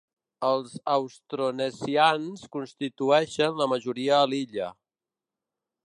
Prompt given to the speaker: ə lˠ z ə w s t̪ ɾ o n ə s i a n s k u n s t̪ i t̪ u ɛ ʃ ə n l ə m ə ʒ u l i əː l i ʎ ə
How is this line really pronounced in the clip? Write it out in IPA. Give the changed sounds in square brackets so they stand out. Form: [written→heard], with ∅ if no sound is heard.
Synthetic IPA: ə lˠ z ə w s t̪ ɾ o n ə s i a n s k u n s t̪ i t̪ u ɛ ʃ ə n l ə m ə ʒ u [l→ɾ] i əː l i ʎ ə